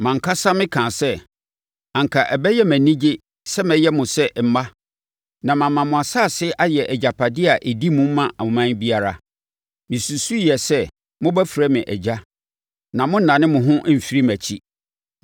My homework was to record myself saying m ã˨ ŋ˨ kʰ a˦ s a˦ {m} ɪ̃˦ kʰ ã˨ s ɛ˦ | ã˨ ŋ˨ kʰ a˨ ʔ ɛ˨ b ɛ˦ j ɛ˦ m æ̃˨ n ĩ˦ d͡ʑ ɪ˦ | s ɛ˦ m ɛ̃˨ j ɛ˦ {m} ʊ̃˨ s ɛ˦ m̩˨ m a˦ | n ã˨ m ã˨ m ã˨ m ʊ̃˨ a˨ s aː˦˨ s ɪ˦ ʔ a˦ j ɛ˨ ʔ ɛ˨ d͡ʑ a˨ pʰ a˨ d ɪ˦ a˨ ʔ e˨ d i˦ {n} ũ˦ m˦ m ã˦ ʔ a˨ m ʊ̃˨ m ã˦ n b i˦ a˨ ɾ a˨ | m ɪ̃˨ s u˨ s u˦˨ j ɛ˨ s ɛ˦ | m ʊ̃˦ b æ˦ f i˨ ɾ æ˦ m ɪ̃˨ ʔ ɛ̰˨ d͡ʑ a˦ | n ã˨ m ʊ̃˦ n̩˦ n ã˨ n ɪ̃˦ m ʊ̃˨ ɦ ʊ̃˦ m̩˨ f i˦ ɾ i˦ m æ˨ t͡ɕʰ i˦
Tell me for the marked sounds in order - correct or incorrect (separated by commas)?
correct, correct, incorrect